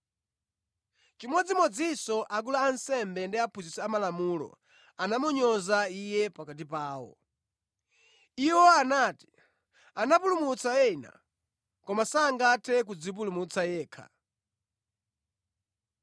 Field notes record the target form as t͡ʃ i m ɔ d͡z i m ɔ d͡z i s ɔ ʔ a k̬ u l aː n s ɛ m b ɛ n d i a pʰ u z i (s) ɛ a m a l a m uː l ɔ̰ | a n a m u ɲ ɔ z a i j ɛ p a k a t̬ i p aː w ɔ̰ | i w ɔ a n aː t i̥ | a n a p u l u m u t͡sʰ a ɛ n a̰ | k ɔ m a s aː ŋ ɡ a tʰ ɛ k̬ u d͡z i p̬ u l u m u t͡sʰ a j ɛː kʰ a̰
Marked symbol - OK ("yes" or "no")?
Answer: yes